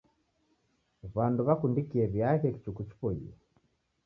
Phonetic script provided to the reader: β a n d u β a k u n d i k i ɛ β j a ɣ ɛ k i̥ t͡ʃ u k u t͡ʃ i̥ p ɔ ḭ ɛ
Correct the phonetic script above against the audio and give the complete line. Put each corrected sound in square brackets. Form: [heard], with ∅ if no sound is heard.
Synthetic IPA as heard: β a n d u β a k u n d i k i ɛ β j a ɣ ɛ k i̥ t͡ʃ u k u t͡ʃ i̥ p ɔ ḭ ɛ